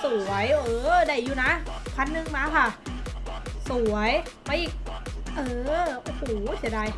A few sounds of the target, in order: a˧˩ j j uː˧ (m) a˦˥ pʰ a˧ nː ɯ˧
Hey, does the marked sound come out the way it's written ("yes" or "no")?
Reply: no